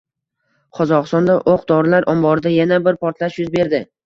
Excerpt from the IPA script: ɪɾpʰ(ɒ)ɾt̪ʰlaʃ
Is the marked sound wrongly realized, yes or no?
no